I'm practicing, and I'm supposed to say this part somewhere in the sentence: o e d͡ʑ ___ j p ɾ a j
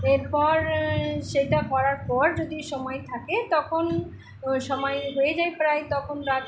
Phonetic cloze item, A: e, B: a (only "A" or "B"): B